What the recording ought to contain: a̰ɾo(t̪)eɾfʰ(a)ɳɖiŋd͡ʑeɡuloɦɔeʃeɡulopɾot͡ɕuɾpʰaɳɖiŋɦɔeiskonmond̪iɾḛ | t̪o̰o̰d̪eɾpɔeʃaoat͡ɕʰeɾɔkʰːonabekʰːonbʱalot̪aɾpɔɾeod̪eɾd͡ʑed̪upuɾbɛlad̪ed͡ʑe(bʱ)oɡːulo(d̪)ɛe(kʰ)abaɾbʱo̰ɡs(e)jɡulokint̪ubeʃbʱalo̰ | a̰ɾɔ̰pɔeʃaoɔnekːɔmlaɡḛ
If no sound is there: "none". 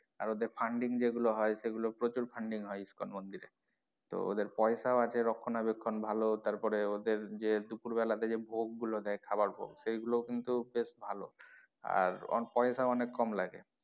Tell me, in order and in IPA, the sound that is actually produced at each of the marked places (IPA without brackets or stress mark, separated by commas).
d̪, a, bʱ, d̪, kʰ, e